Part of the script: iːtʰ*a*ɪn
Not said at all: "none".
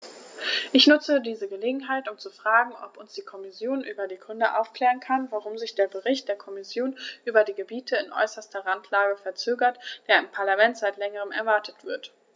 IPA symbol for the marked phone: ə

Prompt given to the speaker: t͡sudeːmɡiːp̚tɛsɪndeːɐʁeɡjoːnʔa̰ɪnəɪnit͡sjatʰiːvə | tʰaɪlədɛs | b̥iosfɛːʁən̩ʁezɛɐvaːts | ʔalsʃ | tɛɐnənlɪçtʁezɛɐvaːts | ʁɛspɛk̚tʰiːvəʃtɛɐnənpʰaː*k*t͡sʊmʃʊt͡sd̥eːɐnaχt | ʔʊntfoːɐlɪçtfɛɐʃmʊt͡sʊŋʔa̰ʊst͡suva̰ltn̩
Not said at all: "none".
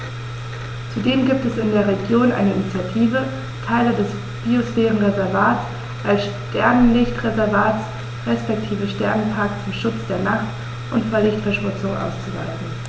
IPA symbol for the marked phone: k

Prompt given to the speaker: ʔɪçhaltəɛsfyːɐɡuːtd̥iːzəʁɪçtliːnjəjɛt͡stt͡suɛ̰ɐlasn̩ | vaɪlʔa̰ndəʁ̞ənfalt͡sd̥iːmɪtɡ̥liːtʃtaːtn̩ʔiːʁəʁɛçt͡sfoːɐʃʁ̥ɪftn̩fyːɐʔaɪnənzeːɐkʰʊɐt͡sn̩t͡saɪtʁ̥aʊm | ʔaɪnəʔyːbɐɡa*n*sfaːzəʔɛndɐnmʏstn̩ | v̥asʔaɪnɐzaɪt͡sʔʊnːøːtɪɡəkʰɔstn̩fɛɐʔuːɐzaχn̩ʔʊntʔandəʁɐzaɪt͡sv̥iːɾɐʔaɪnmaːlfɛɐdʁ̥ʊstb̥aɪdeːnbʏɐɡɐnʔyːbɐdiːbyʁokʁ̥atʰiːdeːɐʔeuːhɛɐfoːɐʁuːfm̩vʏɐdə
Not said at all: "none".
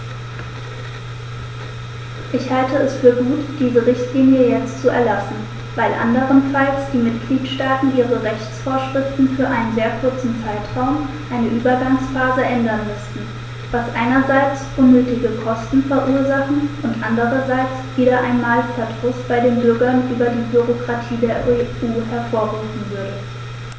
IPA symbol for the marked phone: ŋ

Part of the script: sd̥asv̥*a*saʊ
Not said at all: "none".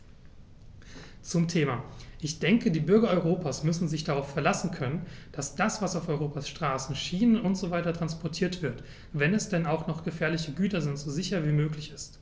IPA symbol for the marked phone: a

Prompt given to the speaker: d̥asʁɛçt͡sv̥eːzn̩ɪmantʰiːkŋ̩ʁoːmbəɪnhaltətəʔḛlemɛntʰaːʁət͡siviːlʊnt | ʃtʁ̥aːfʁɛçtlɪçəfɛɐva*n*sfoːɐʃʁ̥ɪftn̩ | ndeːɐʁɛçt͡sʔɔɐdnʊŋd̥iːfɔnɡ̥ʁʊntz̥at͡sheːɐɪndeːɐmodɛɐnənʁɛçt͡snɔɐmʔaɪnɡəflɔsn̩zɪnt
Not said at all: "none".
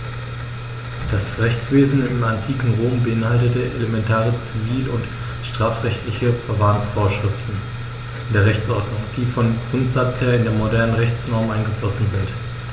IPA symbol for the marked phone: n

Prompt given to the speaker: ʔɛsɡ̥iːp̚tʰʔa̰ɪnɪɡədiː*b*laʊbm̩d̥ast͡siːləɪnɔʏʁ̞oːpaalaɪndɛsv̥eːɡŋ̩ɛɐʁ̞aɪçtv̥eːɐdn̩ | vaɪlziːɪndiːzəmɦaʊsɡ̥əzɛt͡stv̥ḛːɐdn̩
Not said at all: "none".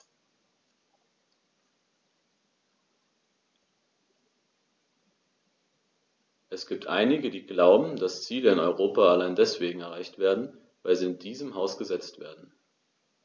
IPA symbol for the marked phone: ɡ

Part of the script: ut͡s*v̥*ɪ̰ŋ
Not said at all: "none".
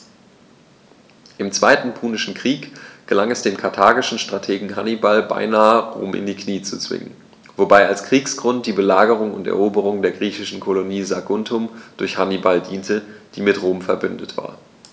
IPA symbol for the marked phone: v̥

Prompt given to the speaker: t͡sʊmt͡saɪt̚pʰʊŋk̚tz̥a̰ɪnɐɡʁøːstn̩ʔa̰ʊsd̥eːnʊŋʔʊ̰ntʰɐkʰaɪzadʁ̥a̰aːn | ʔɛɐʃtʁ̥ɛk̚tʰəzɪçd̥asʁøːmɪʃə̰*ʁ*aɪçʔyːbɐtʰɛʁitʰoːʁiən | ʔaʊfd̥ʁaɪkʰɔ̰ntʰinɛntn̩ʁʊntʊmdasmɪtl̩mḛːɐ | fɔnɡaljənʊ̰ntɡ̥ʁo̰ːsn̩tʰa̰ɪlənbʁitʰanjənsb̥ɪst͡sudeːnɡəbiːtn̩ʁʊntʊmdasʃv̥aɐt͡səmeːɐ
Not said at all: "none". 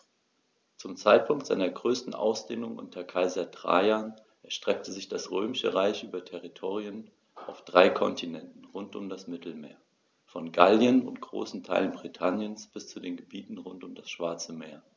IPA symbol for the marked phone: ʁ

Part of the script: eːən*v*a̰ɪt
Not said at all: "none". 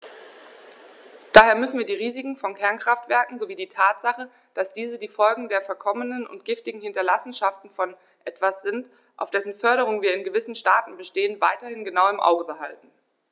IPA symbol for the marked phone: v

